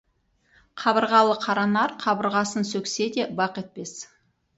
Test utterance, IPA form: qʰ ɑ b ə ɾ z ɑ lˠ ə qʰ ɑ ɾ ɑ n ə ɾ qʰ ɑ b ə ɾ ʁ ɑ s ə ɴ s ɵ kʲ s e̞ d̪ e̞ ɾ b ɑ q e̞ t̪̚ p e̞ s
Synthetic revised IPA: qʰ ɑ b ə ɾ ʁ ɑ lˠ ə qʰ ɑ ɾ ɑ n ɑ ɾ qʰ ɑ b ə ɾ ʁ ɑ s ə n s ɵ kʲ s e̞ d̪ e̞ b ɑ q e̞ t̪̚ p e̞ s